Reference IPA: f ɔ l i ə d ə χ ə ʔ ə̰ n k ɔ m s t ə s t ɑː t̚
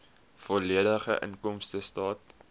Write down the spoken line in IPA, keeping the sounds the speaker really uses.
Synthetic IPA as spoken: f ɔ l i ə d ə χ ə ʔ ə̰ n k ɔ m s t ə s t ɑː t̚